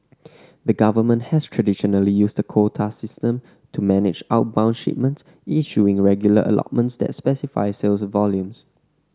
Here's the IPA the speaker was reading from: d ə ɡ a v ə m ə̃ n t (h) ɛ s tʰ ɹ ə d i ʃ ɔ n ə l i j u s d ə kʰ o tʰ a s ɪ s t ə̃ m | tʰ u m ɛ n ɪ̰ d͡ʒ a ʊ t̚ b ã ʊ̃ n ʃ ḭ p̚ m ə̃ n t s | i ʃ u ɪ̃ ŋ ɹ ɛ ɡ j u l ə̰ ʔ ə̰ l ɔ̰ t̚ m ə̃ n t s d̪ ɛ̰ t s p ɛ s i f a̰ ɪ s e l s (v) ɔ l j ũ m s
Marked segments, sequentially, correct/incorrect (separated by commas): correct, correct